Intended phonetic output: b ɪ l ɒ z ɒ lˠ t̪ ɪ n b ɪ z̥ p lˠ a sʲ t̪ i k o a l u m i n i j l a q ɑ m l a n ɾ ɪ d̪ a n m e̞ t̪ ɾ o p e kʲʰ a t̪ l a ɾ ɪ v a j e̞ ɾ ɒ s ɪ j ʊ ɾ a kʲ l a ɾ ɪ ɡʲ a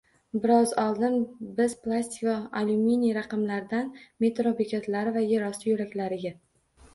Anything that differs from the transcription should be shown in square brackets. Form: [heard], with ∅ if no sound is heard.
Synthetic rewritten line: b ɪ [ɾ] ɒ z ɒ lˠ [d̪] ɪ n b ɪ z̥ p lˠ a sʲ t̪ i k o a l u m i n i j [ɾ] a q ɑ m l a [∅] ɾ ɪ d̪ a n m e̞ t̪ ɾ o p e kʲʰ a t̪ l a ɾ ɪ v a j e̞ ɾ ɒ s ɪ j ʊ ɾ a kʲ l a ɾ ɪ ɡʲ a